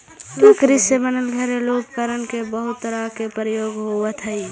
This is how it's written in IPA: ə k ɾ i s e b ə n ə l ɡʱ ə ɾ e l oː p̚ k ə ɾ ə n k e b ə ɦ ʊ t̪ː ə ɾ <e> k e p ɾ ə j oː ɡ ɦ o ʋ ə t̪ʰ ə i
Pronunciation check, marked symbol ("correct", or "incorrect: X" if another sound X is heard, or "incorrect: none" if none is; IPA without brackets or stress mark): incorrect: a